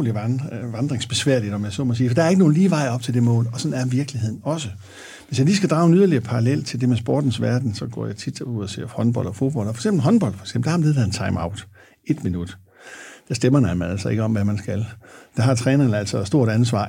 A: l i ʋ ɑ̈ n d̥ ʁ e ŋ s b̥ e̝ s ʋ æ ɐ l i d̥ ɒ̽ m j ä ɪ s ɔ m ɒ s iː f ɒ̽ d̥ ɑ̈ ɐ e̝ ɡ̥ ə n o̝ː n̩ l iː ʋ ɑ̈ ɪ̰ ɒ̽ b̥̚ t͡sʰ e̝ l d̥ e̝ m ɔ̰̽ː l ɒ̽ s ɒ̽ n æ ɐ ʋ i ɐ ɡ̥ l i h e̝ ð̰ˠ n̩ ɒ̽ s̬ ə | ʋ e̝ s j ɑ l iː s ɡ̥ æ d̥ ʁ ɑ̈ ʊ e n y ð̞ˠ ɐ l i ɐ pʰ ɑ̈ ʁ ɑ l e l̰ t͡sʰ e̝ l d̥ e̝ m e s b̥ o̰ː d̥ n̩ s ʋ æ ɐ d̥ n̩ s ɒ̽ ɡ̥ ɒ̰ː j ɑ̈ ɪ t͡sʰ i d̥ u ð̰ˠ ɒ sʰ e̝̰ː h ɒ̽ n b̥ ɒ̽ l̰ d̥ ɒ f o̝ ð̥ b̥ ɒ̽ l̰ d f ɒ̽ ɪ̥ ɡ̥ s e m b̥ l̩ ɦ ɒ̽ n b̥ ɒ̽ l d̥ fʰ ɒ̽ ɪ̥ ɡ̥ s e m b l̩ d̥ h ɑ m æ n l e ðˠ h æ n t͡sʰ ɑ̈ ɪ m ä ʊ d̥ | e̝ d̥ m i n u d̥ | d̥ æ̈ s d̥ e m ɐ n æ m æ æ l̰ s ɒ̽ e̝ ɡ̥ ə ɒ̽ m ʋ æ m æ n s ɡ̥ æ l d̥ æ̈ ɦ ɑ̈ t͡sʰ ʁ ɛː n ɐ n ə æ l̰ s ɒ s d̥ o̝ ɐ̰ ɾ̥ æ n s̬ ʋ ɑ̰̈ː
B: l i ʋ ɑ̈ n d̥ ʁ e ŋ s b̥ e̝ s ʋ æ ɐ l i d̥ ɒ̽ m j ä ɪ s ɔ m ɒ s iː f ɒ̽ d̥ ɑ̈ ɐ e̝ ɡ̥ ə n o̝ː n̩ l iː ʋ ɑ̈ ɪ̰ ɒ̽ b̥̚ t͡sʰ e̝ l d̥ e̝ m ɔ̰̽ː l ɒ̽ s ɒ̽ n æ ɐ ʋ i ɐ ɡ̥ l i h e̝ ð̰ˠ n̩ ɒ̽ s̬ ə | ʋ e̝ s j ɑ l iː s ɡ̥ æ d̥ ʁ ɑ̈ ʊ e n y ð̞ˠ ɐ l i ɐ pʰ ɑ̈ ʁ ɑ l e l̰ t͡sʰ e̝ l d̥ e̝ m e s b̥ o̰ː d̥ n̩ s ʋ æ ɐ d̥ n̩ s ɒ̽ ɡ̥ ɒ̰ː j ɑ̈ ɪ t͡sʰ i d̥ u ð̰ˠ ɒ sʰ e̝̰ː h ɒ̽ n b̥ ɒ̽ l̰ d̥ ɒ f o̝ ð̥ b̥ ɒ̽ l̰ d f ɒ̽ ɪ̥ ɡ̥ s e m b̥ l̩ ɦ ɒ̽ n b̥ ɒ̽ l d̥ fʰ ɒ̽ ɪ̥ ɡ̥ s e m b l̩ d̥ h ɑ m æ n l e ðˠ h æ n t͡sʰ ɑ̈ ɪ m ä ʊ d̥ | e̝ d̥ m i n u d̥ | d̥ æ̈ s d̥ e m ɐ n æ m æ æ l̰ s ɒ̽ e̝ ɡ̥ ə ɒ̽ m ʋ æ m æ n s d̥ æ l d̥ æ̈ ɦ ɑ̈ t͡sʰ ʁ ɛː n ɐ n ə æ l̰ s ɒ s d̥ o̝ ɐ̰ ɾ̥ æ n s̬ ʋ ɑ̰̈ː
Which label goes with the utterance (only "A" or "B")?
A